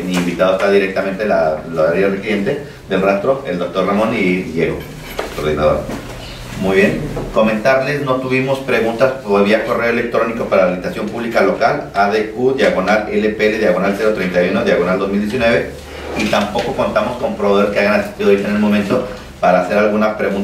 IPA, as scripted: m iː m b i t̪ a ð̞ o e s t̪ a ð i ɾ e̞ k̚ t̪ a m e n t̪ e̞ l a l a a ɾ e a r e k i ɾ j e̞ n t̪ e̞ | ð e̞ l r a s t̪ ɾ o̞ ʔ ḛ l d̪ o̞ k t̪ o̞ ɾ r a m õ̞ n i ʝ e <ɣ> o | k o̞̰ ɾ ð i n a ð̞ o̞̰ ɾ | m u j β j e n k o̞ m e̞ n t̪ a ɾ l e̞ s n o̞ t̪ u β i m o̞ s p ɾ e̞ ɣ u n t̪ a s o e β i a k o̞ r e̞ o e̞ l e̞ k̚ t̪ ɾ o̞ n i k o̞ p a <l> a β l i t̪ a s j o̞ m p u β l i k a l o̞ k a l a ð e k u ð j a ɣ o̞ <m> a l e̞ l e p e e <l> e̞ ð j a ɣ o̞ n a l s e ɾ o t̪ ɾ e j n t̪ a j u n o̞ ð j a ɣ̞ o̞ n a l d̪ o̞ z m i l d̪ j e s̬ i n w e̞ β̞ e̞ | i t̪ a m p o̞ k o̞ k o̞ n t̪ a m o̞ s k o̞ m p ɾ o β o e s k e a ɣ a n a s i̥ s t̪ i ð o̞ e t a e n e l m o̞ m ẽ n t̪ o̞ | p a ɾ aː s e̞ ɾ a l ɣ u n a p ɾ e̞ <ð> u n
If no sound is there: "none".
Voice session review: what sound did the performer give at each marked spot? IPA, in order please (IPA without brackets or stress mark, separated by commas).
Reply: ɣ, ɾ, n, l, ɣ